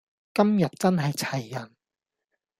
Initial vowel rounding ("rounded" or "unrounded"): unrounded